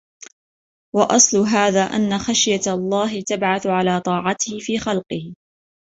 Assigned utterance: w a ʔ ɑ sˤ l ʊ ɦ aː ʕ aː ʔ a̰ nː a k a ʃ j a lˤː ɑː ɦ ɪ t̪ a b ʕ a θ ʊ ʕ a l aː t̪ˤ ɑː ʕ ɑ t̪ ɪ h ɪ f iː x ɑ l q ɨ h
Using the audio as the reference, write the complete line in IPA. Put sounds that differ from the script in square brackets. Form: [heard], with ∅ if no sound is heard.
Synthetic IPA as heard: w [ɑ] ʔ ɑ sˤ l ʊ ɦ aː [ð] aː ʔ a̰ nː a [x] a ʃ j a lˤː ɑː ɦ ɪ t̪ a b ʕ a θ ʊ ʕ a l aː t̪ˤ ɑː ʕ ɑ t̪ ɪ h ɪ f iː x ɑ l q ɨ h